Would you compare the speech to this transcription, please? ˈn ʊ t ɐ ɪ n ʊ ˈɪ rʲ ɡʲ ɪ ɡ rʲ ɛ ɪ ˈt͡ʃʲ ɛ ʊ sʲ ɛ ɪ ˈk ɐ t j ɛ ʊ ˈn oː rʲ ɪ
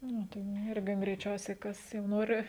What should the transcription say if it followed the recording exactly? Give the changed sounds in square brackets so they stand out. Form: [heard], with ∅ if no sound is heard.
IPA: ˈn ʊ t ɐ ɪ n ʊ ˈɪ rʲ ɡʲ ɪ ɡ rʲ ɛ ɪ ˈt͡ʃʲ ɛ ʊ sʲ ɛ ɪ ˈk ɐ [s] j ɛ ʊ ˈn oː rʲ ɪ